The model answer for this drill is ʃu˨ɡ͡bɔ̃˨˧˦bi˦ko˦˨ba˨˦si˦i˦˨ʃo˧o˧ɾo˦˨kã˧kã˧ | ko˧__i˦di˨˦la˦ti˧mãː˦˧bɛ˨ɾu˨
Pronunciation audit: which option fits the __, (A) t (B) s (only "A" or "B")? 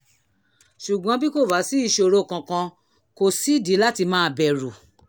B